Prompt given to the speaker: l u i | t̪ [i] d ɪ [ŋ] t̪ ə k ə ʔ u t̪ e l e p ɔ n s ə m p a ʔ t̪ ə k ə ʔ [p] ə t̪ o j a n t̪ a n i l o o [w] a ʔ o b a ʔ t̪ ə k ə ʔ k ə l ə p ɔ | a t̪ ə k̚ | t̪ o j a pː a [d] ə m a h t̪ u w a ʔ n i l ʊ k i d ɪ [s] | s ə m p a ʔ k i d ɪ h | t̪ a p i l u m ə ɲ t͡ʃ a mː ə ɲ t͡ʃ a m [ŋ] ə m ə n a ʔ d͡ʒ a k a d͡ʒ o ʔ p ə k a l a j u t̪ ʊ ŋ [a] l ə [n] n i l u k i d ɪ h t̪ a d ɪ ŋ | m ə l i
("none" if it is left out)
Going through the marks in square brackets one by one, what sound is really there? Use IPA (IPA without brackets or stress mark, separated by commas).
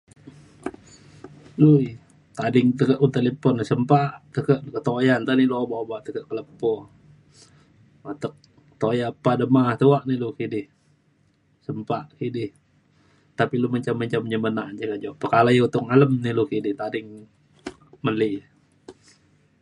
a, ŋ, k, b, d, h, ɲ, a, m